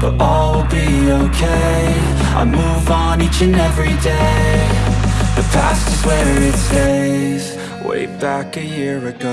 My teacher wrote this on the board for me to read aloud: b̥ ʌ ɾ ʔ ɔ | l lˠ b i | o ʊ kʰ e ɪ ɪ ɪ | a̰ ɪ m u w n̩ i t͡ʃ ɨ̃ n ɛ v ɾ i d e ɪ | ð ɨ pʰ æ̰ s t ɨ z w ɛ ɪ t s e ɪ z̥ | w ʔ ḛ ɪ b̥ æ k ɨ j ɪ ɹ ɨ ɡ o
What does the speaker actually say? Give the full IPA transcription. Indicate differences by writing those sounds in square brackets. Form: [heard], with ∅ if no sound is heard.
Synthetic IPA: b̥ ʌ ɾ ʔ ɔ | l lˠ b i | o ʊ kʰ e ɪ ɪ ɪ | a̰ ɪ m u [v] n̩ i t͡ʃ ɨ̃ n ɛ v [ɹ] i d e ɪ | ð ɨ pʰ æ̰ s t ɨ z w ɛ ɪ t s e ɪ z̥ | w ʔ ḛ ɪ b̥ æ k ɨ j ɪ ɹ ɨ ɡ o